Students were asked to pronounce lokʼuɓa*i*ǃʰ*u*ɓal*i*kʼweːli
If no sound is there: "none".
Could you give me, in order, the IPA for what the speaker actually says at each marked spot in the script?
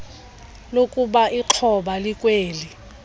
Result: i, ɔ, i

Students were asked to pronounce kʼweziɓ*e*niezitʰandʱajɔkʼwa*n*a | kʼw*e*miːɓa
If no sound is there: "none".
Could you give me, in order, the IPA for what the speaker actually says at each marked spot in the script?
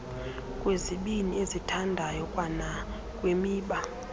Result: i, n, e

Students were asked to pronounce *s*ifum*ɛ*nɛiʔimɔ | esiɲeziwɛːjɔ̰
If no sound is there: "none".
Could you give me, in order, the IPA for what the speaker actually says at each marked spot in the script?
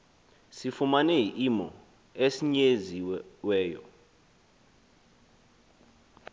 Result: s, a

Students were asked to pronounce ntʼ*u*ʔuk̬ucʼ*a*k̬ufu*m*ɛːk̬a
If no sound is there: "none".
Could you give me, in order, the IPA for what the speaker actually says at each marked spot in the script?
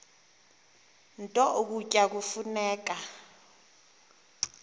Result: ɔ, a, n

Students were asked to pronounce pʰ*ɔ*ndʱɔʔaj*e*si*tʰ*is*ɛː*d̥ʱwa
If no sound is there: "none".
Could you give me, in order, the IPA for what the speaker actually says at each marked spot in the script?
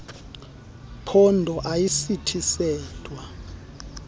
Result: ɔ, i, tʰ, ɛː

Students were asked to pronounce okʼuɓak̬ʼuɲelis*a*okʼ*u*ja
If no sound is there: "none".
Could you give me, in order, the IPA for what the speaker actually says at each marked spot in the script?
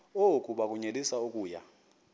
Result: a, uː

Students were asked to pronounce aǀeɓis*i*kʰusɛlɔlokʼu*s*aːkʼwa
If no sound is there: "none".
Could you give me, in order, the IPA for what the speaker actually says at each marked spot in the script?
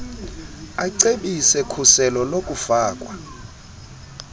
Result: ɛ, f

